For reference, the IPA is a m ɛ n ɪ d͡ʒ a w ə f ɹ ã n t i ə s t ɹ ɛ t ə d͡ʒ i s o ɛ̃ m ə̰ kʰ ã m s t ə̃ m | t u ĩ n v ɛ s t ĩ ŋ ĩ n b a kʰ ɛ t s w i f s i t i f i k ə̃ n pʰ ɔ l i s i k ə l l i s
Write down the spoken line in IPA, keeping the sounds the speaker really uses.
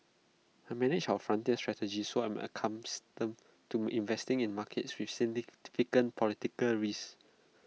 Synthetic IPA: a m ɛ n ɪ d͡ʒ a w ə f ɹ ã n t i ə s t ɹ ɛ t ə d͡ʒ i s o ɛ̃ m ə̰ kʰ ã m s t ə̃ m | t u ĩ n v ɛ s t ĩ ŋ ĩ n m a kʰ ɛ t s w i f s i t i f i k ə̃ n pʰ ɔ l i t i k ə l ɹ i s